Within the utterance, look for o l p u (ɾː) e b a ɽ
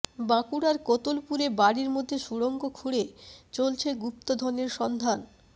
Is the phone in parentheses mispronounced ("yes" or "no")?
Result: yes